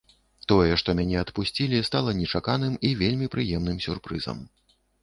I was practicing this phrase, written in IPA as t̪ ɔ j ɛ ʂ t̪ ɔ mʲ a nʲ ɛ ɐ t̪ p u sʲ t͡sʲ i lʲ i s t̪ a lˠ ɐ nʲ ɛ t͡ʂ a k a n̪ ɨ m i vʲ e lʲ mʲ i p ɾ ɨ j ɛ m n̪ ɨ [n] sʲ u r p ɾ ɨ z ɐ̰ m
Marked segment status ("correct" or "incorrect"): incorrect